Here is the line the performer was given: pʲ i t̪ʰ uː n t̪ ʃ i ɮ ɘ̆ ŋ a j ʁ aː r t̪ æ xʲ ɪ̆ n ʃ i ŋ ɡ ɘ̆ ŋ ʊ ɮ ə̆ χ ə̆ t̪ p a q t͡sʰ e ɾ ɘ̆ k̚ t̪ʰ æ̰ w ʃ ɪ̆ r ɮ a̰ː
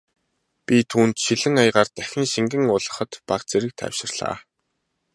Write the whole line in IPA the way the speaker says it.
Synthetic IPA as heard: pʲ i t̪ʰ uː n t̪ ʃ i ɮ ɘ̆ ŋ a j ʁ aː r t̪ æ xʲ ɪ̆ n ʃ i ŋ ɡ ɘ̆ ŋ ʊ ɮ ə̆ χ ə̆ t̪ p a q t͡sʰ e ɾ ɘ̆ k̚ t̪ʰ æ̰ w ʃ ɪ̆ r ɮ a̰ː